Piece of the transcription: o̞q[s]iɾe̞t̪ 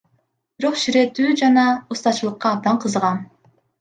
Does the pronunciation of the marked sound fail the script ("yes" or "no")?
yes